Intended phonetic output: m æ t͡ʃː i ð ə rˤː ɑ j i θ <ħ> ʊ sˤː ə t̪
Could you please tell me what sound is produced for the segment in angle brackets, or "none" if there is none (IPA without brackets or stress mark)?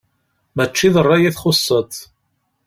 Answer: χ